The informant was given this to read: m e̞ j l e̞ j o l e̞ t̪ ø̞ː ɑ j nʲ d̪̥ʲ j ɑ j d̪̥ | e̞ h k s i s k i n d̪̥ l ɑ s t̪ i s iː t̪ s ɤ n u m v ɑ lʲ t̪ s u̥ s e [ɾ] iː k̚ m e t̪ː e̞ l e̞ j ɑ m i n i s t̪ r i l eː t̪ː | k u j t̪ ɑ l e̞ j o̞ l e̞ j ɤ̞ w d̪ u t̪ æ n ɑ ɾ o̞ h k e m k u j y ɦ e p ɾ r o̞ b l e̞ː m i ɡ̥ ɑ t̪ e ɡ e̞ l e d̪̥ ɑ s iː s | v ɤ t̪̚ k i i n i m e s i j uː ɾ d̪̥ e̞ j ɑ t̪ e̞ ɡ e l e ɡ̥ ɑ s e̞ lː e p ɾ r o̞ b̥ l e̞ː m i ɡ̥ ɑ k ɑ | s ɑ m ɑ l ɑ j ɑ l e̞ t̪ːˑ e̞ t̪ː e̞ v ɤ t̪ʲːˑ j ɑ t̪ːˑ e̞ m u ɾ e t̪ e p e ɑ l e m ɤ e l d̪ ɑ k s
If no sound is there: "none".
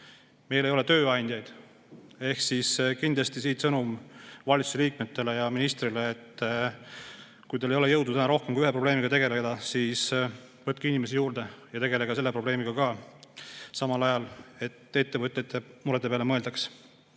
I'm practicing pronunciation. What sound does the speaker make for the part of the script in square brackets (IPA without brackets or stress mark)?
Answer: l